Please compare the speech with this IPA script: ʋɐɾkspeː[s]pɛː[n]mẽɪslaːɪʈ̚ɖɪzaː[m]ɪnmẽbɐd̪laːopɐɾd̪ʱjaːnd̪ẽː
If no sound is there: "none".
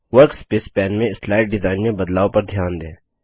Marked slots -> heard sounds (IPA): s, n, none

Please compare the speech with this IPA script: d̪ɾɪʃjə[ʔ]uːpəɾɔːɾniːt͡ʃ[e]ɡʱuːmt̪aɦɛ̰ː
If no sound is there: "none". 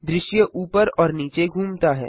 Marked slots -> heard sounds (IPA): ʔ, e

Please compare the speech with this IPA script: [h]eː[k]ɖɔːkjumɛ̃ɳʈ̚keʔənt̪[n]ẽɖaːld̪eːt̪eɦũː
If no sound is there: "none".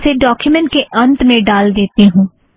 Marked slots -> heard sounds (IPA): s, none, m

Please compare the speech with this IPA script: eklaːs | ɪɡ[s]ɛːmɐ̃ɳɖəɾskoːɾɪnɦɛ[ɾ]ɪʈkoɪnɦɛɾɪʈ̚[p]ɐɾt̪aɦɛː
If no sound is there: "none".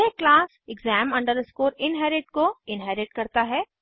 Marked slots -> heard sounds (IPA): z, ɾ, k

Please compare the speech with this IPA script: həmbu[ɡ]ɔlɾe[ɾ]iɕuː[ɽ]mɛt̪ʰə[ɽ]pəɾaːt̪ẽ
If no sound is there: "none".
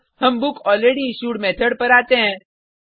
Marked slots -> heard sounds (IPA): k, ɽ, ɽ, ɽ

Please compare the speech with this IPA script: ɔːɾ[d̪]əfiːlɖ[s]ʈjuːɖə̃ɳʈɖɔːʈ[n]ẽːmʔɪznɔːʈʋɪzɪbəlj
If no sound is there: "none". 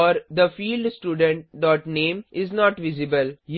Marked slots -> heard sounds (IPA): d̪, s, n

